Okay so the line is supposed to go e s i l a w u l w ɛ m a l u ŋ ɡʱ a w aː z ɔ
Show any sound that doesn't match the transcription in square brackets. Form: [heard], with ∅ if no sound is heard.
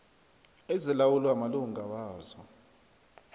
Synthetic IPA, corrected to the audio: e [z] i l a w u l w [a] m a l u ŋ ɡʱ a w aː z ɔ